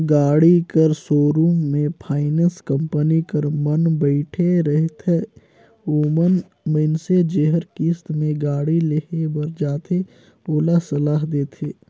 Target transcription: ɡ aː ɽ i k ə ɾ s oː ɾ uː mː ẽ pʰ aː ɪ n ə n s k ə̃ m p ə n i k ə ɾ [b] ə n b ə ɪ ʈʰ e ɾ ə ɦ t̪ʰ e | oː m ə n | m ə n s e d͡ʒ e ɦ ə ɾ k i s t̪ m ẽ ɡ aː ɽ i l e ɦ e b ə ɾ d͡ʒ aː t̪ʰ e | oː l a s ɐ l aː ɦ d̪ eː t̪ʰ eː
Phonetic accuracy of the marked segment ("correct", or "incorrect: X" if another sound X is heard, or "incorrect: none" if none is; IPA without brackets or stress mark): incorrect: m